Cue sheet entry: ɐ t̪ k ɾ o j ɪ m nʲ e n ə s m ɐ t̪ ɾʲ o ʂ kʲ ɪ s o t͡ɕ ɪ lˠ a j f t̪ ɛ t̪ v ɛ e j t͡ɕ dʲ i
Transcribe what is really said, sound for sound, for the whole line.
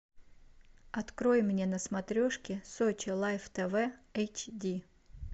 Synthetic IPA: ɐ t̪ k ɾ o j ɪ m nʲ e n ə s m ɐ t̪ ɾʲ o ʂ kʲ ɪ s o t͡ɕ ɪ lˠ a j f t̪ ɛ v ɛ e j t͡ɕ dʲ i